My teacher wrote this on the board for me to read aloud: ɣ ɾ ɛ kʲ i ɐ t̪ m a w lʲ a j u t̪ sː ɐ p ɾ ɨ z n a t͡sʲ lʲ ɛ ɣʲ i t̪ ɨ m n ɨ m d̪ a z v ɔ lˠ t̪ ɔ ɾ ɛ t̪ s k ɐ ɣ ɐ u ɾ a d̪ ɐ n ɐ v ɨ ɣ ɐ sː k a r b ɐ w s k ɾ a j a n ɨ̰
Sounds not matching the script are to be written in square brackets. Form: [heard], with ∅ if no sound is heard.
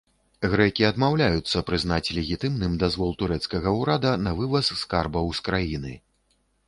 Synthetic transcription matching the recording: ɣ ɾ ɛ kʲ i ɐ [d̪] m a w lʲ a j u t̪ sː ɐ p ɾ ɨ z n a t͡sʲ lʲ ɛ ɣʲ i t̪ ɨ m n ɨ m d̪ a z v ɔ lˠ t̪ [u] ɾ ɛ t̪ s k ɐ ɣ ɐ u ɾ a d̪ ɐ n ɐ v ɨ [v] ɐ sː k a r b ɐ w s k ɾ a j [i] n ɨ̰